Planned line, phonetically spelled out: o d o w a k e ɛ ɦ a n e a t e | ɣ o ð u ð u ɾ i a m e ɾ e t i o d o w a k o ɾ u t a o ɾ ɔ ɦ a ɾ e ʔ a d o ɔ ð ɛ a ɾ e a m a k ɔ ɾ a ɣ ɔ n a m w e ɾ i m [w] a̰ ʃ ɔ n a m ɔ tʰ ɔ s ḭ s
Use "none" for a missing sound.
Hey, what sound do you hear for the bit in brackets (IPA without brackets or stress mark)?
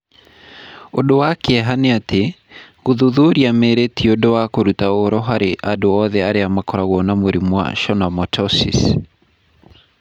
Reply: w